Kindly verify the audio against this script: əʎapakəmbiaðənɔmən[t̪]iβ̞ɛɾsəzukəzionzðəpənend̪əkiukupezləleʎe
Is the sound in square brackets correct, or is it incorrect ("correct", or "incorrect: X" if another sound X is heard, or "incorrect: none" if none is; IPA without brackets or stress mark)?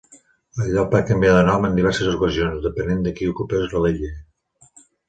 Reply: incorrect: d̪